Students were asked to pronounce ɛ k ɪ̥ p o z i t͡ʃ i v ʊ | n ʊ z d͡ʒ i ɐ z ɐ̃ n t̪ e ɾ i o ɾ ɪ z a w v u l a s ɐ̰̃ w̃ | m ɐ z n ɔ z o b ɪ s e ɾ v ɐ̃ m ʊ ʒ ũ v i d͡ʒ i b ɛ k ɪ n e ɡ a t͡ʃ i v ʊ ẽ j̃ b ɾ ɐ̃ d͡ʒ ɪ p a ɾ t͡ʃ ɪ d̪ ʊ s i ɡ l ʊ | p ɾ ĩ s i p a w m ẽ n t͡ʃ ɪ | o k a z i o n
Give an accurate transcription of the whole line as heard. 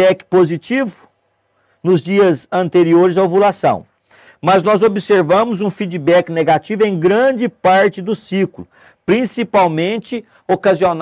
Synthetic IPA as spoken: ɛ k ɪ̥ p o z i t͡ʃ i v ʊ | n ʊ z d͡ʒ i ɐ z ɐ̃ n t̪ e ɾ i o ɾ ɪ z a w v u l a s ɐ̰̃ w̃ | m ɐ z n ɔ z o b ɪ s e ɾ v ɐ̃ m ʊ z ũ f i d͡ʒ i b ɛ k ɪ n e ɡ a t͡ʃ i v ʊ ẽ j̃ ɡ ɾ ɐ̃ d͡ʒ ɪ p a ɾ t͡ʃ ɪ d̪ ʊ s i k l ʊ | p ɾ ĩ s i p a w m ẽ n t͡ʃ ɪ | o k a z i o n